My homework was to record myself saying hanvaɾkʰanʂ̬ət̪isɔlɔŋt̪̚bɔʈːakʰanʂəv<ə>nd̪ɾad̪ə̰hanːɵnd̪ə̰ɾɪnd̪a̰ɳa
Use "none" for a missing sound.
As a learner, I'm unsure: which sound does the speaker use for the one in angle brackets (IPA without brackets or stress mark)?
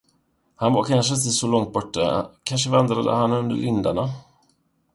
a